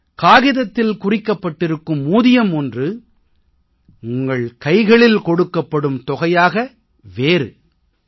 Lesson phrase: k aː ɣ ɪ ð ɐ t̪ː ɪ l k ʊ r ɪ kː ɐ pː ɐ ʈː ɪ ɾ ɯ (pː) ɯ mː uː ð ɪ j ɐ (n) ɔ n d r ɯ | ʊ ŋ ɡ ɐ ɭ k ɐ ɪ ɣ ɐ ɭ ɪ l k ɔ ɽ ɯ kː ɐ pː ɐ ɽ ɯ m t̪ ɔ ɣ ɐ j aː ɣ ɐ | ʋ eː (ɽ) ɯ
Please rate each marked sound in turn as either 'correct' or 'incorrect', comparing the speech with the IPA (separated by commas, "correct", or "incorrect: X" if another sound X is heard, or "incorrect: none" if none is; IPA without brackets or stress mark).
incorrect: kː, incorrect: m, incorrect: ɾ